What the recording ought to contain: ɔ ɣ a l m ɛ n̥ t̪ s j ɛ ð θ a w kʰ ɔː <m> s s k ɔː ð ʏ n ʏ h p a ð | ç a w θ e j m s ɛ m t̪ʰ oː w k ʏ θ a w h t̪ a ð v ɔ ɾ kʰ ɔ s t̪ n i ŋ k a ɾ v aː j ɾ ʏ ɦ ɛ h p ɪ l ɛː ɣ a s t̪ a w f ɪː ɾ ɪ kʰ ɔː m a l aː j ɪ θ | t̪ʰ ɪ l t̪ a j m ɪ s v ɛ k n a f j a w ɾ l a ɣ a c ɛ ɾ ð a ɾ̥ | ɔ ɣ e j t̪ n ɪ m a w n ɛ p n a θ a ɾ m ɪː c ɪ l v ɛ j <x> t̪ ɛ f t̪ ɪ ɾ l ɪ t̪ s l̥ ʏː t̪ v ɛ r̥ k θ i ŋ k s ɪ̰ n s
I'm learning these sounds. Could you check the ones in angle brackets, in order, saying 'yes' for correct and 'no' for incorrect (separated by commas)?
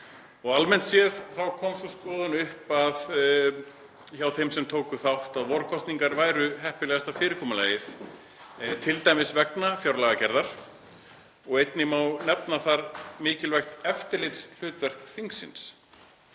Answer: yes, yes